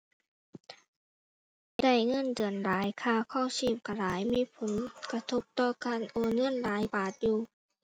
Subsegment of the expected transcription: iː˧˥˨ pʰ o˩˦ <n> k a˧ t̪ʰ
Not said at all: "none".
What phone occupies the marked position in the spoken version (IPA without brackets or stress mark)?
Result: n